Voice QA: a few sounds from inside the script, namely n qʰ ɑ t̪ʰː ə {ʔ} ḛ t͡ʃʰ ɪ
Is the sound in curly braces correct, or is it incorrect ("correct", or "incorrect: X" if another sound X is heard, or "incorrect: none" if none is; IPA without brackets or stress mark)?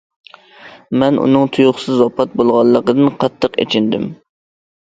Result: incorrect: q